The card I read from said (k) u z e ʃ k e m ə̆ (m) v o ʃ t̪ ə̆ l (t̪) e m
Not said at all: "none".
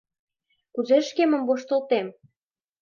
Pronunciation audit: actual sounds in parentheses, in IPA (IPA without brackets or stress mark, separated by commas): k, m, t̪